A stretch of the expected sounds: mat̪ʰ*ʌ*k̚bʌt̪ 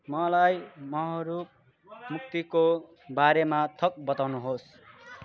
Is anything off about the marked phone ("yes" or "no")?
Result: no